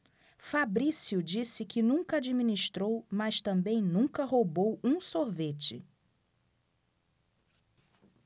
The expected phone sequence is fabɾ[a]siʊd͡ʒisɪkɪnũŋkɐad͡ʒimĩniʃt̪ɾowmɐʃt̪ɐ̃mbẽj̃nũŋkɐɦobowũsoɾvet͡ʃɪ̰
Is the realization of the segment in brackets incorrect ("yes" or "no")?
yes